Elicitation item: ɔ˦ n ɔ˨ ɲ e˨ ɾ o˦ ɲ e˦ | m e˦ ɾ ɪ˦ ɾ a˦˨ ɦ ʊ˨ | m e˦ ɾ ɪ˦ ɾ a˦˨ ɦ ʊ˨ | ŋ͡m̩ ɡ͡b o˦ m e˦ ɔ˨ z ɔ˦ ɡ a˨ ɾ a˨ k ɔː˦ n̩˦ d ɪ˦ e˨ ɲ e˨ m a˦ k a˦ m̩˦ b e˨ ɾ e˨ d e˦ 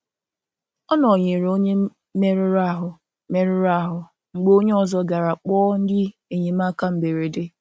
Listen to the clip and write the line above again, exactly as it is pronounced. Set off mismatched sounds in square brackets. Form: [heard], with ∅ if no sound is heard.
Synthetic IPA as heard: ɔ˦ n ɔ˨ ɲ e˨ ɾ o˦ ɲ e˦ | m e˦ ɾ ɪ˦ ɾ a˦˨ ɦ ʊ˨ | m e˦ ɾ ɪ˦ ɾ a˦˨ ɦ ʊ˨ | ŋ͡m̩ ɡ͡b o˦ [ɲ] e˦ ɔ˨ z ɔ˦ ɡ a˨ ɾ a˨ [k͡p] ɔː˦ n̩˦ d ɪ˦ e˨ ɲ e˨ m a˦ k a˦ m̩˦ b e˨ ɾ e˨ d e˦